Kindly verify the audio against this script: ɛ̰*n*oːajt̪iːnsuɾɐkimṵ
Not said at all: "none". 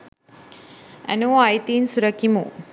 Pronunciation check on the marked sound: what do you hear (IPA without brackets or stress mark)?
n